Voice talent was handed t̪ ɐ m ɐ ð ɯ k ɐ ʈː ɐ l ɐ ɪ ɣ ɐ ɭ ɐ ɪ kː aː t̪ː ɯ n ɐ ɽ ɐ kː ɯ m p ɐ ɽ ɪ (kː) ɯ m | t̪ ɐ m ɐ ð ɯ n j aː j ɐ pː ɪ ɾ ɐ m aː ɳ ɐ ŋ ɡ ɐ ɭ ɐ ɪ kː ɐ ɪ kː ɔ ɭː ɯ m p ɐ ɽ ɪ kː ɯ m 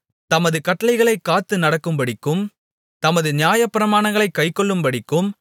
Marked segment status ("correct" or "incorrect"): correct